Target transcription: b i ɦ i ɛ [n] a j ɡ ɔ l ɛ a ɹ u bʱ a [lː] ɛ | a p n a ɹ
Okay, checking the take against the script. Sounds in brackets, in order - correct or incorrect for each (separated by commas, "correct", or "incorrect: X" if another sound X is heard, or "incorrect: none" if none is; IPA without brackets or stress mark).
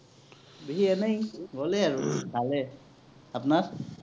correct, incorrect: l